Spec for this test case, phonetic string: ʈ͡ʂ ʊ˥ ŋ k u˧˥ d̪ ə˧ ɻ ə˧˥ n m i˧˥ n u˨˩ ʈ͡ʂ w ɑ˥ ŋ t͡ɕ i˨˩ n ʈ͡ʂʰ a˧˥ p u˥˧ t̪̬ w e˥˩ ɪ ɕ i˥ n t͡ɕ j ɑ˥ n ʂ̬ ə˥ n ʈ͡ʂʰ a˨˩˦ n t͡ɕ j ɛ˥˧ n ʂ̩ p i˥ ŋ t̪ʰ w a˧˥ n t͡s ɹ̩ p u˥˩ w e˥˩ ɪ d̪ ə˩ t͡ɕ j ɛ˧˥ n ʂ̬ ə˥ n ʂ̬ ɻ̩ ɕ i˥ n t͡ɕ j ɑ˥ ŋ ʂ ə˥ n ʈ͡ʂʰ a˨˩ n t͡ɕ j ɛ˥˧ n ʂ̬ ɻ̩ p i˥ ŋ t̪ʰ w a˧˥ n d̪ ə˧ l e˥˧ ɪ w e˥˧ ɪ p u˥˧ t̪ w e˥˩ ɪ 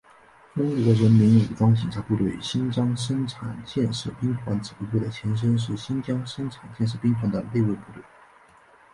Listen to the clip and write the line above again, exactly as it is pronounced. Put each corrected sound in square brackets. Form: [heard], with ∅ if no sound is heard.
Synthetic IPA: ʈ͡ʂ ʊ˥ ŋ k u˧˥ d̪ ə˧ ɻ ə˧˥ n m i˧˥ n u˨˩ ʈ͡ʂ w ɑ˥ ŋ t͡ɕ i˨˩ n ʈ͡ʂʰ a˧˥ p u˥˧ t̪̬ w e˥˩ ɪ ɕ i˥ n t͡ɕ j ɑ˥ [ŋ] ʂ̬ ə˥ n ʈ͡ʂʰ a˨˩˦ n t͡ɕ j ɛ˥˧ n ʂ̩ p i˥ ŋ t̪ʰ w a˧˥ n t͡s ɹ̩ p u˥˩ w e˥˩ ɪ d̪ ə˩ [t͡ɕʰ] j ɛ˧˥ n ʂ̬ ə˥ n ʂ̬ ɻ̩ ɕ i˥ n t͡ɕ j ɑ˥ ŋ ʂ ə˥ n ʈ͡ʂʰ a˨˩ n t͡ɕ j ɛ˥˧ n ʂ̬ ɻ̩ p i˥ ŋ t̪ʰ w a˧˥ n d̪ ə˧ l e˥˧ ɪ w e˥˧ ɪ p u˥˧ t̪ w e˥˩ ɪ